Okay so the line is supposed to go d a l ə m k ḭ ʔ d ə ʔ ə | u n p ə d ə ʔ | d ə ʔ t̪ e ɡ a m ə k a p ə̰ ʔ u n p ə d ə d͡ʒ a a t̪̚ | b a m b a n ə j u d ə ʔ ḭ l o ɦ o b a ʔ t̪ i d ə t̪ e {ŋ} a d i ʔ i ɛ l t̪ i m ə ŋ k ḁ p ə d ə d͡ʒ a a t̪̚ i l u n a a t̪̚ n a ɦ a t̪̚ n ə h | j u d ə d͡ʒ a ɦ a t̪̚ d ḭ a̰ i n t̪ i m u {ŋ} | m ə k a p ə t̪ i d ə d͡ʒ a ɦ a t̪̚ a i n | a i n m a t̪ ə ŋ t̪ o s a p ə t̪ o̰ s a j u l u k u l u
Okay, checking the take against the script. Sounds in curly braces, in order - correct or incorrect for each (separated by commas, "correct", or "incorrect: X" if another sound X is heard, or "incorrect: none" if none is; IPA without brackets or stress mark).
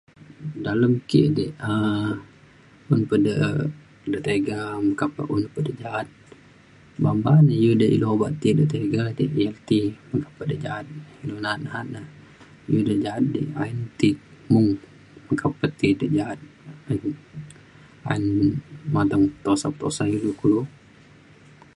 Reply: incorrect: ɡ, correct